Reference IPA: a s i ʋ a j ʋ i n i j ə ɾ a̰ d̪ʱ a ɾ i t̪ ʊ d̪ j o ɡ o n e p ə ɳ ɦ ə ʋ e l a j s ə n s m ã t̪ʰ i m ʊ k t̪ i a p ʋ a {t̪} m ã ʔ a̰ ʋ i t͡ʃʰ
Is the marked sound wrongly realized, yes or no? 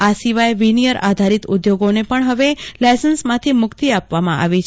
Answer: yes